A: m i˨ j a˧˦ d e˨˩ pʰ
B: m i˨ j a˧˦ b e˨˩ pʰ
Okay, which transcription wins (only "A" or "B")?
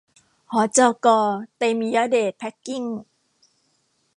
A